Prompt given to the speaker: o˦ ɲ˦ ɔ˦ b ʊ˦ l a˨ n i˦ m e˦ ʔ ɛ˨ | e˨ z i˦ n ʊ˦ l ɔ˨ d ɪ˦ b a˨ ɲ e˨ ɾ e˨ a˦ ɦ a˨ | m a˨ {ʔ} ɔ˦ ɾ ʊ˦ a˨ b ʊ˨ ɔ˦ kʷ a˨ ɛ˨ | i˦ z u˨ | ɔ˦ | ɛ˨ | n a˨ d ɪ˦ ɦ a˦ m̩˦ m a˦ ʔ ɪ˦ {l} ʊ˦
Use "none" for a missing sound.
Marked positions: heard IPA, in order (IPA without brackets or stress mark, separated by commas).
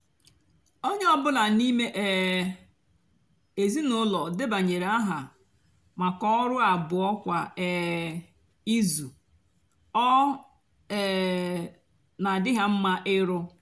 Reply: k, ɾ